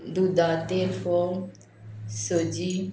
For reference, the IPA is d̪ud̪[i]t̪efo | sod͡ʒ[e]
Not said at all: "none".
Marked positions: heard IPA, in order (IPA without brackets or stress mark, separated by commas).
a, i